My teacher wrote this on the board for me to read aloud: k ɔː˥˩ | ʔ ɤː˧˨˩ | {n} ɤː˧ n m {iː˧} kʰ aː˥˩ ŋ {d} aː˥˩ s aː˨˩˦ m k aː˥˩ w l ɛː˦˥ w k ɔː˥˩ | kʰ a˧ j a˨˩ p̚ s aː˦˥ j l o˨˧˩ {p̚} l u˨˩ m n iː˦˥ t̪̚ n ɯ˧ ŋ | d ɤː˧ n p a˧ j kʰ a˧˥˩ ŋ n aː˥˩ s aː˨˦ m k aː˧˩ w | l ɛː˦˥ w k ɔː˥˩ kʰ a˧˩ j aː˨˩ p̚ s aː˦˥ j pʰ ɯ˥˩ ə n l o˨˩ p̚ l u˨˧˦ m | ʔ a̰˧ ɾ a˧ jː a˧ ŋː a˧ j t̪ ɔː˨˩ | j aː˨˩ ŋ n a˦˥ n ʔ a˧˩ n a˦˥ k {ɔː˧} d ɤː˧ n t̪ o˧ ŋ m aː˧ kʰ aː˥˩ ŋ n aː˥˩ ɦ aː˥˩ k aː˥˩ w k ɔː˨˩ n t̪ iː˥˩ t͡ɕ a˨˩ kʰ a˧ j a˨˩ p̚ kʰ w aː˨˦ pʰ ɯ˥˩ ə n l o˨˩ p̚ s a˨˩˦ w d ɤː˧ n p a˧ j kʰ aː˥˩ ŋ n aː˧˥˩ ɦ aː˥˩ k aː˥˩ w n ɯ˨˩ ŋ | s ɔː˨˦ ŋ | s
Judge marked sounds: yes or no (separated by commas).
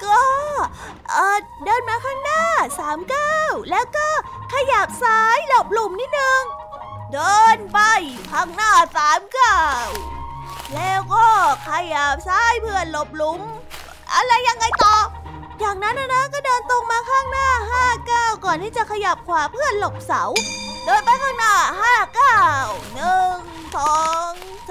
no, no, no, yes, no